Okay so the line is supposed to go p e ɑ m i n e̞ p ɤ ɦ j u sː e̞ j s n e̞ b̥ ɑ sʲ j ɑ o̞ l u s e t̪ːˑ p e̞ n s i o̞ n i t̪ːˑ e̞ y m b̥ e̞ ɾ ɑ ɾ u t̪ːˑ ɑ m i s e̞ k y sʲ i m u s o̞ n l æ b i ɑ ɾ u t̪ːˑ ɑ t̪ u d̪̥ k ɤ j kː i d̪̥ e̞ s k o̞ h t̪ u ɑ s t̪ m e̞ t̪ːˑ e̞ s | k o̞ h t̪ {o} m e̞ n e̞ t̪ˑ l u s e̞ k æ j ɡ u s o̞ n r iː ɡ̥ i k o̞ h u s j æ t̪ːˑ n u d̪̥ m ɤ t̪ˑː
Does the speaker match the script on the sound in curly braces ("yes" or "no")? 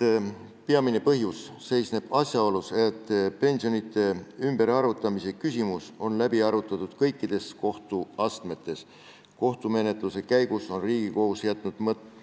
no